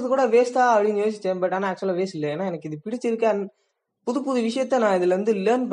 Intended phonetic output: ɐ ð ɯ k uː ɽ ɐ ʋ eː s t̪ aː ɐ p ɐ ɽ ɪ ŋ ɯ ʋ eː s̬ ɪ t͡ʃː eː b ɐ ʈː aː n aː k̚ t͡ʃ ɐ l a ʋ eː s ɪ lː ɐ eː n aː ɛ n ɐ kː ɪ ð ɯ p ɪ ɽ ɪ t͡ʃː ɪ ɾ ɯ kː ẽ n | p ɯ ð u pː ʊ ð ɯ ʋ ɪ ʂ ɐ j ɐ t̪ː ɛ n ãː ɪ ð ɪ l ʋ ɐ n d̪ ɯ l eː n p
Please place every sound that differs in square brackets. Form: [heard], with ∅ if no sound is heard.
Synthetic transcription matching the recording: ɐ ð ɯ k uː ɽ ɐ ʋ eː s t̪ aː ɐ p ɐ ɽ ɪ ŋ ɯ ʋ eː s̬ ɪ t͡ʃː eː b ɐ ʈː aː n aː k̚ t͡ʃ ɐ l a ʋ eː s ɪ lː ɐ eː n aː ɛ n ɐ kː ɪ ð ɯ p ɪ ɽ ɪ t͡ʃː ɪ ɾ ɯ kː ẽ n | p [ʊ] ð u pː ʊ ð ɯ ʋ ɪ ʂ ɐ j ɐ t̪ː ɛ n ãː ɪ ð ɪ l ʋ ɐ n d̪ ɯ l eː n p